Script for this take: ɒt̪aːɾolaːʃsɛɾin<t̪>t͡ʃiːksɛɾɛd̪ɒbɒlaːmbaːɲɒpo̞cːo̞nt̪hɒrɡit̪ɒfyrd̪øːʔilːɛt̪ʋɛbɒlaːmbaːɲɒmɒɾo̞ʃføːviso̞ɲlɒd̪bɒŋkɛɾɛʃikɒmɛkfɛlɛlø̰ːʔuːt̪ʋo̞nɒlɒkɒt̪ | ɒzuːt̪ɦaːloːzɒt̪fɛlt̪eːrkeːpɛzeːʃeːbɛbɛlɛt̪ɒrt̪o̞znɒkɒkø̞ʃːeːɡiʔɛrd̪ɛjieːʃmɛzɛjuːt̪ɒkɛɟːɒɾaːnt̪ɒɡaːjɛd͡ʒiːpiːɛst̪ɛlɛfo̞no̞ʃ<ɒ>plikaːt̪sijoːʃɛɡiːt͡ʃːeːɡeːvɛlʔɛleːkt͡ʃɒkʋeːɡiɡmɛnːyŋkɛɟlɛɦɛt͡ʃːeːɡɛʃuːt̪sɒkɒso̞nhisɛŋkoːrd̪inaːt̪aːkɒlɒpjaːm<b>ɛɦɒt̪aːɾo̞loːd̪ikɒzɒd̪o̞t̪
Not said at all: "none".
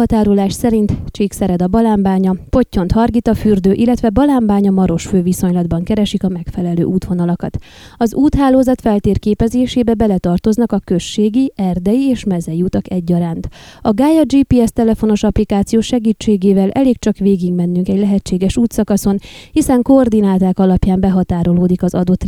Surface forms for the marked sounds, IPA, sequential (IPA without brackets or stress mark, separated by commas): t̪, ɒ, b